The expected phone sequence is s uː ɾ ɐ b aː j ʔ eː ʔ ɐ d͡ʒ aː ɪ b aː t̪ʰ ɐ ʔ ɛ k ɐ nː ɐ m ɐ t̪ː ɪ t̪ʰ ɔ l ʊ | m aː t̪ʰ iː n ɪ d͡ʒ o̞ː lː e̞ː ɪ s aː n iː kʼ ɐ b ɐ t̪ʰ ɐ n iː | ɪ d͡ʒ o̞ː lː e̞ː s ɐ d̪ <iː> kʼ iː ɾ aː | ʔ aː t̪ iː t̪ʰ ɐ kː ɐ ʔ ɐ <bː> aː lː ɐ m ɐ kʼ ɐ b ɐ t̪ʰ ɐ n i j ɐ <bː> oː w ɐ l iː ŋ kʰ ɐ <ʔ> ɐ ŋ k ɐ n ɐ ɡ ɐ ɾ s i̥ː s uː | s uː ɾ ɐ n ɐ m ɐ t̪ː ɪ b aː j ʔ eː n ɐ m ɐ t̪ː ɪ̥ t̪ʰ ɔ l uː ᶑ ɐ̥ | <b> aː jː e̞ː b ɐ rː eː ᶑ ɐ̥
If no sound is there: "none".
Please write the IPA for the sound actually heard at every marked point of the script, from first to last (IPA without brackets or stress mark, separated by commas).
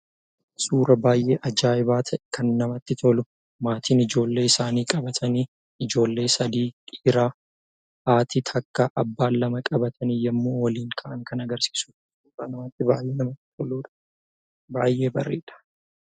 iː, bː, mː, ʔ, b